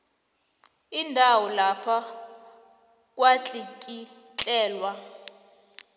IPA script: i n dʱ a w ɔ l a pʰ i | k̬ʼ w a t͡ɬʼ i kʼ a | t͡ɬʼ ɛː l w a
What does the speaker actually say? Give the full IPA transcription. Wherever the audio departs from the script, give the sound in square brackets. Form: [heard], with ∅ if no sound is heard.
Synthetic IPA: i n dʱ a w ɔ l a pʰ [a] | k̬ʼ w a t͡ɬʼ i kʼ [i] | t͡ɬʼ ɛː l w a